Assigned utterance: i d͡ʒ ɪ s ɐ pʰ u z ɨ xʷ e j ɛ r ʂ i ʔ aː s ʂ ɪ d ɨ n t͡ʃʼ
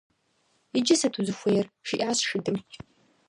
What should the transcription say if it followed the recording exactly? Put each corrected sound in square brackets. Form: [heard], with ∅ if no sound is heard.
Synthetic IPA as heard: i d͡ʒ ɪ s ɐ [tʰ] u z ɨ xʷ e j ɛ r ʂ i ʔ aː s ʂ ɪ d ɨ [m] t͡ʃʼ